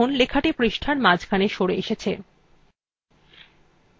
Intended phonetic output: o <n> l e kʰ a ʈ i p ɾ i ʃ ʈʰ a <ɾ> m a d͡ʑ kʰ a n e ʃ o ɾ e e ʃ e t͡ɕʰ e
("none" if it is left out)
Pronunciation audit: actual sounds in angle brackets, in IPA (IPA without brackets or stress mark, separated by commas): n, ɾ